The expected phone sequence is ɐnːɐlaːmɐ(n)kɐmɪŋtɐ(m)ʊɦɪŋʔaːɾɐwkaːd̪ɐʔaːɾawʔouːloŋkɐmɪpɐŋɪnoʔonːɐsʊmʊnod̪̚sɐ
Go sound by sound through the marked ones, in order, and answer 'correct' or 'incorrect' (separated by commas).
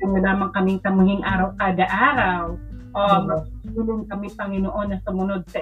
incorrect, correct